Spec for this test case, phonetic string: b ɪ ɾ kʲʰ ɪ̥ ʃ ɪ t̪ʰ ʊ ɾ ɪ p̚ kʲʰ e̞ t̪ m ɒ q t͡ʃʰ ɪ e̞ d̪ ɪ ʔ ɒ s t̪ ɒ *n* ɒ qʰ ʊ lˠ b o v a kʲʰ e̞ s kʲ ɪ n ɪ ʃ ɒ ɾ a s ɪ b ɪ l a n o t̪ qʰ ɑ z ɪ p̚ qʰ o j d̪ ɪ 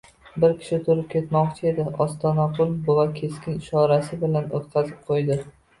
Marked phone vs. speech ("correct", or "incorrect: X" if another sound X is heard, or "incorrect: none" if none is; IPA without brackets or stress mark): correct